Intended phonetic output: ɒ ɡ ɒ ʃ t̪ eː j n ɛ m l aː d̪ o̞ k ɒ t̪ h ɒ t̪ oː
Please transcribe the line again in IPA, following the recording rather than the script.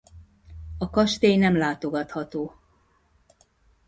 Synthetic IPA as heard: ɒ k ɒ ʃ t̪ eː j n ɛ m l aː t̪ o̞ ɡ ɒ t̪ h ɒ t̪ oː